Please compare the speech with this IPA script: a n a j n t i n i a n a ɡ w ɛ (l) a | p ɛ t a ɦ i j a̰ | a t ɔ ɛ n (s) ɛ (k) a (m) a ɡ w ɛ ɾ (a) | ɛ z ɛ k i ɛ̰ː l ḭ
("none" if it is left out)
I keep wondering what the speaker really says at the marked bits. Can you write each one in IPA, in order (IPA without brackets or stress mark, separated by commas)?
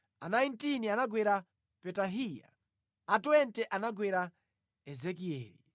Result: ɾ, t, ʔ, n, a